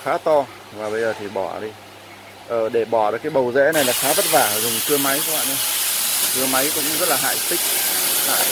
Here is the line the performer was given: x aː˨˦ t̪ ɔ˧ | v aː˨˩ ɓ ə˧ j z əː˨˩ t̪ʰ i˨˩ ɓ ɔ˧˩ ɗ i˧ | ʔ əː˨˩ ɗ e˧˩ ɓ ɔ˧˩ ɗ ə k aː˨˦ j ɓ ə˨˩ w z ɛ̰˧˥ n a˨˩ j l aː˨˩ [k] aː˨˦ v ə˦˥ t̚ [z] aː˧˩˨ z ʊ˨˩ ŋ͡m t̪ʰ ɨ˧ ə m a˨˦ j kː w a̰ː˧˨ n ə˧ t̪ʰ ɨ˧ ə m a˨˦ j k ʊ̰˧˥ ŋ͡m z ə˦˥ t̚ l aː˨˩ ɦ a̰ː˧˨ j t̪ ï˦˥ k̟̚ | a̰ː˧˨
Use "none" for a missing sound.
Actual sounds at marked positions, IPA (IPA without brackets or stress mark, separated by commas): x, v